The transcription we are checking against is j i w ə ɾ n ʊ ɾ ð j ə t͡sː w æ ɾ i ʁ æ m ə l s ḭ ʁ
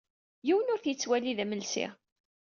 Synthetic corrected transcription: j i w ə n ʊ ɾ θ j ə t͡sː w æ l i ð æ m ə l s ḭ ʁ